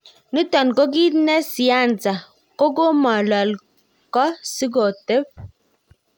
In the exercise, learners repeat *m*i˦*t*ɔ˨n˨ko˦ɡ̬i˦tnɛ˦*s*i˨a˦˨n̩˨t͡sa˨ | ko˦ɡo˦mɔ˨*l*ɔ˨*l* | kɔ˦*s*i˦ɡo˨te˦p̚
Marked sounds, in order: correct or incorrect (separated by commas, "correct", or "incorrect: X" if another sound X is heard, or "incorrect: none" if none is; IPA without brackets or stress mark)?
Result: incorrect: n, correct, correct, correct, correct, correct